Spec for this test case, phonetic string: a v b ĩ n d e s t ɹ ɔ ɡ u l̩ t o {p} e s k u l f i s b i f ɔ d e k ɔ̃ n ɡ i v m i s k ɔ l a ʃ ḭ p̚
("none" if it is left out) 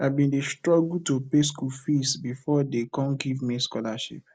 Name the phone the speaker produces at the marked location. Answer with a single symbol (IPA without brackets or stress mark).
p